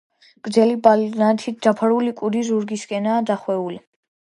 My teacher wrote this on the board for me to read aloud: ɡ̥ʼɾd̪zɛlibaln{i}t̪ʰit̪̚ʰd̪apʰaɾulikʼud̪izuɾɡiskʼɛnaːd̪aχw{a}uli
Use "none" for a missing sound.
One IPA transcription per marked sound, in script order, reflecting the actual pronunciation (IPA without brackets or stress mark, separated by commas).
a, ɛ